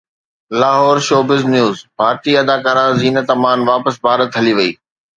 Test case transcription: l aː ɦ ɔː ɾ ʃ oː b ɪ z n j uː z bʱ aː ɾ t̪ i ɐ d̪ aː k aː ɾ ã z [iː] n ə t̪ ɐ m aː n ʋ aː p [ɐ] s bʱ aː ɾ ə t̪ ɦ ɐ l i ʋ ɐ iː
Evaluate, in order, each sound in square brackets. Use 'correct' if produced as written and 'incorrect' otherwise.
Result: correct, incorrect

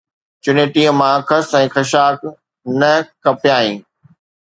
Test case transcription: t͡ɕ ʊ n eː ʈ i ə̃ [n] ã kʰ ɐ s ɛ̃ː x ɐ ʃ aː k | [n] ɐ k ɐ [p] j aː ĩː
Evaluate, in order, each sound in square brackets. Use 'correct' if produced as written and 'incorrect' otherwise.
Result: incorrect, correct, correct

